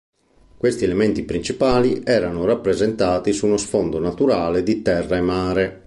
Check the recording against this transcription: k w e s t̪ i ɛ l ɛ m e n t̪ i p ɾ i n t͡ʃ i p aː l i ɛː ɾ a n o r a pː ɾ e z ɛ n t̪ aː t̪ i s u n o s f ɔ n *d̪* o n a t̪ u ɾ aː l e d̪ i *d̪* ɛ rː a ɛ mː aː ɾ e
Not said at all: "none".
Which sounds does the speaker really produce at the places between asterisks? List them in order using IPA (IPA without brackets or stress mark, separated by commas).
d̪, t̪